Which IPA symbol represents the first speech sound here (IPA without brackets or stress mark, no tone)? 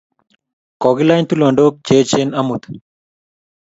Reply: k